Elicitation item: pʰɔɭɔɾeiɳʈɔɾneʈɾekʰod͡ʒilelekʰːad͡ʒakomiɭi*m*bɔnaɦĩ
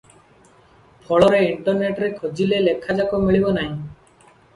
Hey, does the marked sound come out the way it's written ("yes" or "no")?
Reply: no